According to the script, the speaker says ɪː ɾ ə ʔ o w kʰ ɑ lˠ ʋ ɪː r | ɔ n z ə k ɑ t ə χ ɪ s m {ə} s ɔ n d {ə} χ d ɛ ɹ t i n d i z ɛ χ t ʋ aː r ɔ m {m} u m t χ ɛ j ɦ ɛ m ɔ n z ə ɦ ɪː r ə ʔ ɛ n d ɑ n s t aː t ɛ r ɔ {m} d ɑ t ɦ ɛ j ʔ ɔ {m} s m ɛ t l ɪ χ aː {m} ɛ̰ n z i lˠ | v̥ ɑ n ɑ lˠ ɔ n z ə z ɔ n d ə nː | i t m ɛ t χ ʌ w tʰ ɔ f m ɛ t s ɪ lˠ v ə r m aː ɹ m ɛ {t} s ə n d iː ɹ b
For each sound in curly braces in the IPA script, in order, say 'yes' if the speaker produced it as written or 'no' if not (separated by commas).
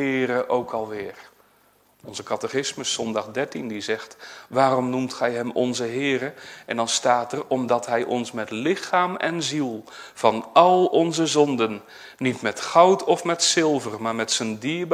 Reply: yes, no, no, yes, no, yes, yes